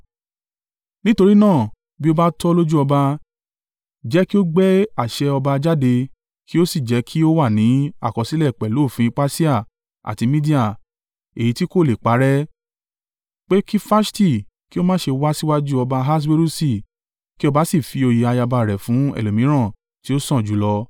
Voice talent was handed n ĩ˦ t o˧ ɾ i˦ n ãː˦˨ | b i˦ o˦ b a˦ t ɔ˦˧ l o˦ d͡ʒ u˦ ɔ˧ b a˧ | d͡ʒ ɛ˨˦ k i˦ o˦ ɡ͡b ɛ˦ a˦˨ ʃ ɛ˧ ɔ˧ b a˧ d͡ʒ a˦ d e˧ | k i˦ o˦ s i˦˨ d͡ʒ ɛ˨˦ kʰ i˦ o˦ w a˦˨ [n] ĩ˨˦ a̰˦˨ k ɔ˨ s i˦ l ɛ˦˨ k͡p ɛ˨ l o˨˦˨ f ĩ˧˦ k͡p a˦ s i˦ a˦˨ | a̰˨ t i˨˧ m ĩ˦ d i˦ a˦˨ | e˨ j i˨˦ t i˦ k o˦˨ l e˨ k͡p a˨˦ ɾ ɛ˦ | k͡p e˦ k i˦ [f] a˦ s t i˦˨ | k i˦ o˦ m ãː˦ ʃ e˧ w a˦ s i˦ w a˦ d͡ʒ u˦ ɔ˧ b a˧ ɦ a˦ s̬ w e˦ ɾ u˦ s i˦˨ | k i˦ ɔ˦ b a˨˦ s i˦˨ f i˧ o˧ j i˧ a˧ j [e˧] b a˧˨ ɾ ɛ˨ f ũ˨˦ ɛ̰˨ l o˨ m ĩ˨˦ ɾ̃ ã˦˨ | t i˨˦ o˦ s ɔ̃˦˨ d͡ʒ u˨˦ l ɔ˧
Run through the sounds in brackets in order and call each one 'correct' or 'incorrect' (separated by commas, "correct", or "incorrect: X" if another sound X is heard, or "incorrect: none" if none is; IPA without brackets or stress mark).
correct, correct, incorrect: a˧